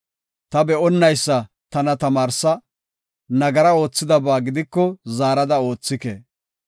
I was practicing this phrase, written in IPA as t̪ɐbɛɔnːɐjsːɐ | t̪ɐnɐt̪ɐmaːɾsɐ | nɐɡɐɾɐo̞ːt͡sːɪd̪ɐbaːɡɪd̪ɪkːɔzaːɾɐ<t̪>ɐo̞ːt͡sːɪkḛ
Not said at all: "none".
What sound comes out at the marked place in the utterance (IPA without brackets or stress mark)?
d̪